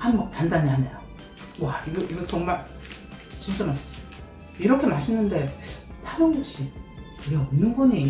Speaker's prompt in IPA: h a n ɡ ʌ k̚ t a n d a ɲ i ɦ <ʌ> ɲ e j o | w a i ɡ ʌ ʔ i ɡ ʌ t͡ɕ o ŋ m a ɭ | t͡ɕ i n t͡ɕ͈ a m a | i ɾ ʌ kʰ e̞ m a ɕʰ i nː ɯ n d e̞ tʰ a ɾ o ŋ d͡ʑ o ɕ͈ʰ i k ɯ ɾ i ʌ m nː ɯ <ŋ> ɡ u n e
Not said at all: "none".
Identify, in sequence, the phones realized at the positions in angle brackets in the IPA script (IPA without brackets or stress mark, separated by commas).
a, n